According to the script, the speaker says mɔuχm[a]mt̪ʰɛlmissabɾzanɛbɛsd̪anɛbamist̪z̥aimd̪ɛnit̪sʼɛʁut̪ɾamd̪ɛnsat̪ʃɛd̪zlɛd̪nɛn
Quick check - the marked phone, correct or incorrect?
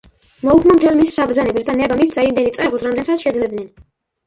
correct